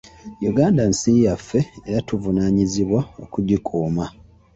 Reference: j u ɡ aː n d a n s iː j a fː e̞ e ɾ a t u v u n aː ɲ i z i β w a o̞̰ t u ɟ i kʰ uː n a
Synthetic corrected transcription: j u ɡ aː n d a n s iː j a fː e̞ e ɾ a t u v u n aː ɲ i z i β w a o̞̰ k u ɟ i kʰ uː m a